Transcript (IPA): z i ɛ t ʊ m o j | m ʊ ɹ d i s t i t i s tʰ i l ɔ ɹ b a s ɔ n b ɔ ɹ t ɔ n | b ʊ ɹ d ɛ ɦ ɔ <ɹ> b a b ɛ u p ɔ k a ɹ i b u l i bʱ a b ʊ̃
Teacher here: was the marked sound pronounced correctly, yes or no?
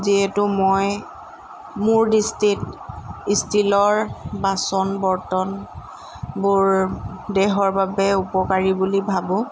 yes